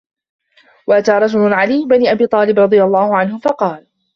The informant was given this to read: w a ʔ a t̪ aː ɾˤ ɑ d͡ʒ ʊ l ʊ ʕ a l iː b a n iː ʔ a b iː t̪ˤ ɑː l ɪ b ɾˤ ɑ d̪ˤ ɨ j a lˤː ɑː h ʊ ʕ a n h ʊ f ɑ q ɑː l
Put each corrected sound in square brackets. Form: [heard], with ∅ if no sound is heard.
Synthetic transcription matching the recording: w a ʔ a t̪ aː ɾˤ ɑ d͡ʒ ʊ l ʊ ʕ a l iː b a n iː ʔ a b iː t̪ˤ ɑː l ɪ b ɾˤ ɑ d̪ˤ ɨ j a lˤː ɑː h ʊ ʕ a n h ʊ f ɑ q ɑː l